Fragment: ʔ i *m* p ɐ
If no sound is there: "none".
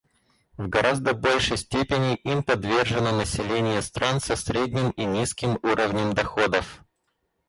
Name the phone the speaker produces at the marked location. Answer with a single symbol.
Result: m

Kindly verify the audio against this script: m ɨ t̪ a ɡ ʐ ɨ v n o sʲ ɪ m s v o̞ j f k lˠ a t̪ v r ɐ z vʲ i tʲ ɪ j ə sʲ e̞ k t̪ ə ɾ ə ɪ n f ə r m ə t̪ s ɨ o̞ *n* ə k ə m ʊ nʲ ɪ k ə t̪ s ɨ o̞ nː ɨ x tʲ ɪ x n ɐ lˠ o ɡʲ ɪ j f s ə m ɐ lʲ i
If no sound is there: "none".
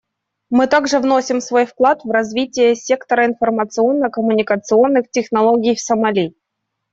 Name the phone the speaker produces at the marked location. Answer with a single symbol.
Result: nː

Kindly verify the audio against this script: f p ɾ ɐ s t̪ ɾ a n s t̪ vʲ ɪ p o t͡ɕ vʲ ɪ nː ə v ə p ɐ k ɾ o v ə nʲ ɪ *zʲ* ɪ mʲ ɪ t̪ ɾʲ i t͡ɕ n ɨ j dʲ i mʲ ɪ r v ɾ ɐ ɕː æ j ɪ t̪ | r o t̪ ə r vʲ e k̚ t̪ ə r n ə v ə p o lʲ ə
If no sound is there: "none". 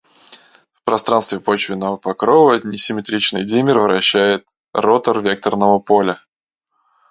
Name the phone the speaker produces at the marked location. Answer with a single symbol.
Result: sʲ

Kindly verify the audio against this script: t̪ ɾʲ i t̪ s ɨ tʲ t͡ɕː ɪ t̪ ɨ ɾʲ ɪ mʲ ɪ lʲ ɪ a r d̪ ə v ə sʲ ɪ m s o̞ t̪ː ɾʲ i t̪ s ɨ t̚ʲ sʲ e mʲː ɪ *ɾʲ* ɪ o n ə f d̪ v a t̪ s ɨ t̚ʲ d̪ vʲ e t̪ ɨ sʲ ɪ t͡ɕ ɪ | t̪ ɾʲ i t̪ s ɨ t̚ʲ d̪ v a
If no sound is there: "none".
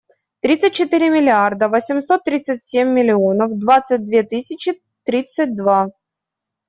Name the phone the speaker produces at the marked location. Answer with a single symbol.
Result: lʲ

